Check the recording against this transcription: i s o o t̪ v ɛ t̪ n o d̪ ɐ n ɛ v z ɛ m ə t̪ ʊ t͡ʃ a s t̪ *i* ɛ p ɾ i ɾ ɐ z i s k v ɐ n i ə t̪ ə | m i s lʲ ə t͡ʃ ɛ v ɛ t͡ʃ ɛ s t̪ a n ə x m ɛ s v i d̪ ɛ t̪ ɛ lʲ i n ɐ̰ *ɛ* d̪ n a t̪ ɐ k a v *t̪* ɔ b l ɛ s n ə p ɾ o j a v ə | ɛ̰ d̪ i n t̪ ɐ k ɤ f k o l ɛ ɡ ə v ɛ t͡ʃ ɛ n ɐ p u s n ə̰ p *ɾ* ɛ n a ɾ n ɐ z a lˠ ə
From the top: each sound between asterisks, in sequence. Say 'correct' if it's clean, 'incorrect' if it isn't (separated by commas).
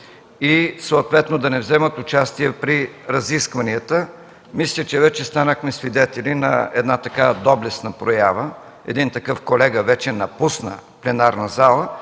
correct, correct, incorrect, incorrect